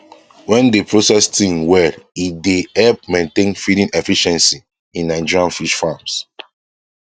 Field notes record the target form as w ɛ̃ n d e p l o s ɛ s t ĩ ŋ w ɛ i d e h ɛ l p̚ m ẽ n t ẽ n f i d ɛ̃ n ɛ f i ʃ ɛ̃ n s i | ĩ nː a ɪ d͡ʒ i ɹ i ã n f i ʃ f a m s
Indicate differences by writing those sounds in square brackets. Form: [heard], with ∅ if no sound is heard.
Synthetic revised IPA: w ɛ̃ n d e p [ɹ] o s ɛ s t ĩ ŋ w ɛ i d e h ɛ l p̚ m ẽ n t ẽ n f i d [ĩ] n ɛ f i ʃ ɛ̃ n s i | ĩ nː a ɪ d͡ʒ i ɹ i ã n f i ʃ f a m s

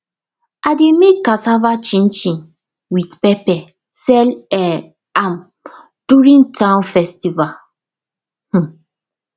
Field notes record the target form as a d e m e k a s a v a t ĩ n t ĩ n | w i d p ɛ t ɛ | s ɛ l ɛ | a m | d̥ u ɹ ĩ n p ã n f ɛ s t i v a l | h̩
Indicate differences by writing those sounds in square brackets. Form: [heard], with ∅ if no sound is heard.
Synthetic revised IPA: a d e m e k a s a v a [t͡ʃ] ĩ n [t͡ʃ] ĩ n | w i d p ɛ [p] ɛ | s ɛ l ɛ | a m | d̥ u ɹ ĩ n [t] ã n f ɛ s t i v a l | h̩

